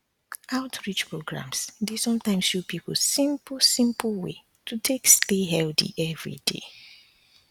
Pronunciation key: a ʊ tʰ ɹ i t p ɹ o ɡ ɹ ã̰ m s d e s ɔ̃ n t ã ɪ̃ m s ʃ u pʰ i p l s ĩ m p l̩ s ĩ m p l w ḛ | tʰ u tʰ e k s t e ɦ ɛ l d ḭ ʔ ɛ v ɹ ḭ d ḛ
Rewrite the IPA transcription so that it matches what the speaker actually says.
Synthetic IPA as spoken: a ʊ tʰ ɹ i t͡ʃ p ɹ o ɡ ɹ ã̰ m s d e s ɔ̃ m t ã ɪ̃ m s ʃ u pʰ i p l s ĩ m p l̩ s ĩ m p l w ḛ | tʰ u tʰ e k s t e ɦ ɛ l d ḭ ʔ ɛ v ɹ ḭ d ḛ